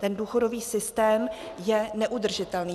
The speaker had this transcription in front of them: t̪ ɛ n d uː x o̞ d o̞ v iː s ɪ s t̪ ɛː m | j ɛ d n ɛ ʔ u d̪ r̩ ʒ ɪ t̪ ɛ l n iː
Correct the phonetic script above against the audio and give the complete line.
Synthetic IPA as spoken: t̪ ɛ n d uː x o̞ d o̞ v iː s ɪ s t̪ ɛː m | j ɛ n ɛ ʔ u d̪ r̩ ʒ ɪ t̪ ɛ l n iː